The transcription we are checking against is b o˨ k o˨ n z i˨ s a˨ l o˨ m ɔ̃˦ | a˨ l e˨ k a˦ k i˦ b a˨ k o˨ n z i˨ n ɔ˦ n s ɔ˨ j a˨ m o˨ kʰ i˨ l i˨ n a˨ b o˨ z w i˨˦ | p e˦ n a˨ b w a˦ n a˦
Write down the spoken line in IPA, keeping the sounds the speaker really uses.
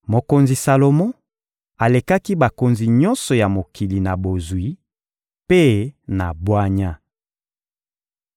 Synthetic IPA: m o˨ k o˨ n z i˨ s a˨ l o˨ m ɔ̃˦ | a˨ l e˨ k a˦ k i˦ b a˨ k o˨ n z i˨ ɲ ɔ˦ n s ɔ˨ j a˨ m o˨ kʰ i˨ l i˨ n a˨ b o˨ z w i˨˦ | p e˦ n a˨ b w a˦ ɲ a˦

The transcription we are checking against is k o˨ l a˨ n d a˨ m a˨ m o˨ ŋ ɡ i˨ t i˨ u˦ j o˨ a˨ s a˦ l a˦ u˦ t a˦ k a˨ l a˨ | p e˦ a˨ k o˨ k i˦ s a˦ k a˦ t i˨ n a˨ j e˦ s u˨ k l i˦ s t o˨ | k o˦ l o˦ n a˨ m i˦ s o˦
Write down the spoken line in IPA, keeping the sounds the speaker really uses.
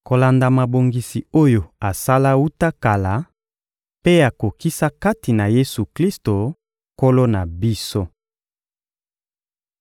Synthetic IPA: k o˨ l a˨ n d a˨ m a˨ b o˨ ŋ ɡ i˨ s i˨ o˦ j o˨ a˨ s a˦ l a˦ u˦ t a˦ k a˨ l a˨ | p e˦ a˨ k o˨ k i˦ s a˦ k a˦ t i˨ n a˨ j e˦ s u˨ k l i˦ s t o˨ | k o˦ l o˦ n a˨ b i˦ s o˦

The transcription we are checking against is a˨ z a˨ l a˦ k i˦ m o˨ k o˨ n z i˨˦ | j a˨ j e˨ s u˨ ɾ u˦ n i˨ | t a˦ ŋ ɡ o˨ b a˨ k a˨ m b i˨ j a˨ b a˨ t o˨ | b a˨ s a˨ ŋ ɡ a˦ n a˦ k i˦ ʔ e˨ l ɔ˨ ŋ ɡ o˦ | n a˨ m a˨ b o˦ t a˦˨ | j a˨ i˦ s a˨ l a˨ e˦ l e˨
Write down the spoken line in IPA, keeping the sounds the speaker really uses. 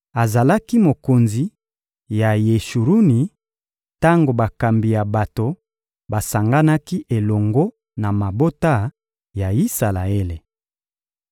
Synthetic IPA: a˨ z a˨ l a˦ k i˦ m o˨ k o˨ n z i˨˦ | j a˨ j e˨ ʃ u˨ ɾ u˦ n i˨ | t a˦ ŋ ɡ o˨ b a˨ k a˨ m b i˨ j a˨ b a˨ t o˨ | b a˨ s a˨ ŋ ɡ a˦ n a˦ k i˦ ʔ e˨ l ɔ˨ ŋ ɡ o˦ | n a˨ m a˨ b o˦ t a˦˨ | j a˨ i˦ s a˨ l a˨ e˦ l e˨

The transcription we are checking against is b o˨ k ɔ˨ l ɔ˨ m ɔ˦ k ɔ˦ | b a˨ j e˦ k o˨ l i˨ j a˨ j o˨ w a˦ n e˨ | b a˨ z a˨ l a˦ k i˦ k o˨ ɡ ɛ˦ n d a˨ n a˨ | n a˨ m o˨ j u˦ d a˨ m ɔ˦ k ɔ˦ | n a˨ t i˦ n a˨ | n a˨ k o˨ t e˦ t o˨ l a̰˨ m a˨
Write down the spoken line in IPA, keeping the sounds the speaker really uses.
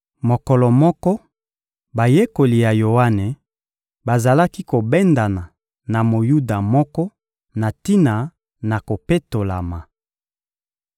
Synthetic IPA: m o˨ k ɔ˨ l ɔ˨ m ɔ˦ k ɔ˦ | b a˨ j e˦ k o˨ l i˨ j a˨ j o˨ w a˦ n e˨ | b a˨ z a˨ l a˦ k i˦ k o˨ b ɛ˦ n d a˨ n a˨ | n a˨ m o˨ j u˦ d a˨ m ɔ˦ k ɔ˦ | n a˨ t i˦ n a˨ | n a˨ k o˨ p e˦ t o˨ l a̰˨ m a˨

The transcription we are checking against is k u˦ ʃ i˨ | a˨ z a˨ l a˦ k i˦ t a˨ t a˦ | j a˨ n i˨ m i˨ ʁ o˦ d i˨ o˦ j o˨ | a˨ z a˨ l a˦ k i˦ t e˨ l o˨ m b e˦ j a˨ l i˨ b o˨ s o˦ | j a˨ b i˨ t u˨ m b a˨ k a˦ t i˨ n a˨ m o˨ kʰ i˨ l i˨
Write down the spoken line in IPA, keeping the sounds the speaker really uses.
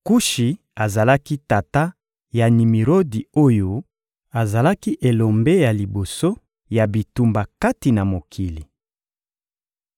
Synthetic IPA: k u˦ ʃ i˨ | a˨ z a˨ l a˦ k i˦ t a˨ t a˦ | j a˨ n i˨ m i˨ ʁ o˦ d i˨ o˦ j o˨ | a˨ z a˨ l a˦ k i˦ ʔ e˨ l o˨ m b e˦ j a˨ l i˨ b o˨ s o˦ | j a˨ b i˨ t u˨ m b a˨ k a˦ t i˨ n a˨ m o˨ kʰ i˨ l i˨

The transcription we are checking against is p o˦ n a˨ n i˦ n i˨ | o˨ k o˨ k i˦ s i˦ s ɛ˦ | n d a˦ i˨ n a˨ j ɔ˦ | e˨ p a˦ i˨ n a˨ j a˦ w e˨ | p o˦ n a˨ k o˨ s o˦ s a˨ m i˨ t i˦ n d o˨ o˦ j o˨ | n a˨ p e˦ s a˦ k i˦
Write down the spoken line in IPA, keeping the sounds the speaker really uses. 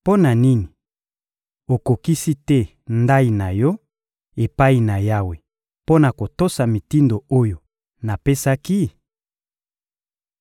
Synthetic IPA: p o˦ n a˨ n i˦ n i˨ | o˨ k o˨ k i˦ s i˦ t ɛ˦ | n d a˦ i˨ n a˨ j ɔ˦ | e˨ p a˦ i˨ n a˨ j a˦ w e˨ | p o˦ n a˨ k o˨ t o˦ s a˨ m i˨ t i˦ n d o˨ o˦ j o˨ | n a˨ p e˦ s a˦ k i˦

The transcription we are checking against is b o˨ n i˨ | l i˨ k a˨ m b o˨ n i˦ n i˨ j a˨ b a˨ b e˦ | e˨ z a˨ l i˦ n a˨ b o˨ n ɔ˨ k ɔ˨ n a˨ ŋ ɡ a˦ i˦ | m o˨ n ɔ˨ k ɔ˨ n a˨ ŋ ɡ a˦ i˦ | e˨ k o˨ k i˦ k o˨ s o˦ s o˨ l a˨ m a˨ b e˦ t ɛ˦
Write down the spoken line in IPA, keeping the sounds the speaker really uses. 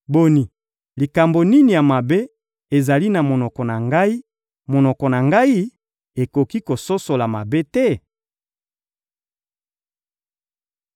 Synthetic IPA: b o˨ n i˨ | l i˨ k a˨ m b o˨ n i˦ n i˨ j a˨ m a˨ b e˦ | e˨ z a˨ l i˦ n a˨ m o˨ n ɔ˨ k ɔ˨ n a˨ ŋ ɡ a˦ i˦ | m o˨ n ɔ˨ k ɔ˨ n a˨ ŋ ɡ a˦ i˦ | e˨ k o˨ k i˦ k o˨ s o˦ s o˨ l a˨ m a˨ b e˦ t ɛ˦

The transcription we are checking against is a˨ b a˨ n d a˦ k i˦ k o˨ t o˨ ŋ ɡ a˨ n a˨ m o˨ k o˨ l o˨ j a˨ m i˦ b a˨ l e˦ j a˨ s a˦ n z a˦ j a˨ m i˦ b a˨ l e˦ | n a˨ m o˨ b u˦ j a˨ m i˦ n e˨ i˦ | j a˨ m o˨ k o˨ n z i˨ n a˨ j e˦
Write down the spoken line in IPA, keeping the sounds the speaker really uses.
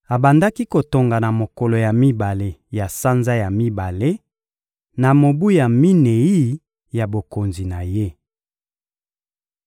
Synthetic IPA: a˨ b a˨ n d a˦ k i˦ k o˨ t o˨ ŋ ɡ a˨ n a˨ m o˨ k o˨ l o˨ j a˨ m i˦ b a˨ l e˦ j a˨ s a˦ n z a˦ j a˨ m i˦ b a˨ l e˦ | n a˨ m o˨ b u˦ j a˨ m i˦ n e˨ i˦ | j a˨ b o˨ k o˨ n z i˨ n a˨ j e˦

